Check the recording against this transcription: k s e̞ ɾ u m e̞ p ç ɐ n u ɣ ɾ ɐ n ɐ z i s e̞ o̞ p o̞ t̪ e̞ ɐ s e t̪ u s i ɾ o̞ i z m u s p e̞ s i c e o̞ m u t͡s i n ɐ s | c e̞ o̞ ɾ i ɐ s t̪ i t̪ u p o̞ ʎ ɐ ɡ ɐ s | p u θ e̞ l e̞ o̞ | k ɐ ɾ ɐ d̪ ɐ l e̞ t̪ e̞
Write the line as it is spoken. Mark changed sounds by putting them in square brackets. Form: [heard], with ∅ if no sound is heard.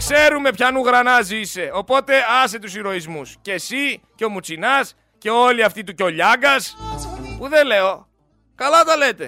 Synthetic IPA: k s e̞ ɾ u m e̞ p ç ɐ n u ɣ ɾ ɐ n ɐ z i s e̞ o̞ p o̞ t̪ e̞ ɐ s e t̪ u s i ɾ o̞ i z m u s [c] e̞ s i c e o̞ m u t͡s i n ɐ s | c e̞ o̞ [l] i ɐ [f] t̪ i t̪ u [c] o̞ ʎ ɐ ɡ ɐ s | p u [ð] e̞ l e̞ o̞ | k ɐ [l] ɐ [t̪] ɐ l e̞ t̪ e̞